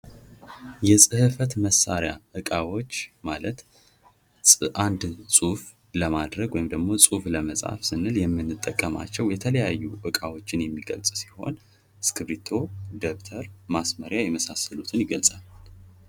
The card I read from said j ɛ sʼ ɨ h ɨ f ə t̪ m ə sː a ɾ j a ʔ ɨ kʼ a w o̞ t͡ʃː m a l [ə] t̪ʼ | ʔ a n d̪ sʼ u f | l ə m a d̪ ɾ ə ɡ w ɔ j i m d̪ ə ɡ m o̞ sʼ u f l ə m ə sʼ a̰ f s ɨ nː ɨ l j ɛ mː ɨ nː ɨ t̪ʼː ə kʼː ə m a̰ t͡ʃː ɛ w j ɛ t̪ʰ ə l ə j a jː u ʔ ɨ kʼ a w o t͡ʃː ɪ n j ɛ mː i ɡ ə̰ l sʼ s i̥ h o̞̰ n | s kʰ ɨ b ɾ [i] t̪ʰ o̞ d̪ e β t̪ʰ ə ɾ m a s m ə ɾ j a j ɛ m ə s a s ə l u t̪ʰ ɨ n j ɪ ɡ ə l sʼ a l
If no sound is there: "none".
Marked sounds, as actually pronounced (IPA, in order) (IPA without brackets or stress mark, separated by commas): ə, i